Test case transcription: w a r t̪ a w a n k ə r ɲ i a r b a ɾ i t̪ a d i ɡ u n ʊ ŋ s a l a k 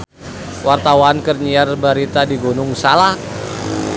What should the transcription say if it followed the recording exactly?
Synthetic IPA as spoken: w a r t̪ a w a n k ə r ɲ i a r b a ɾ i t̪ a d i ɡ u n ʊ ŋ s a l a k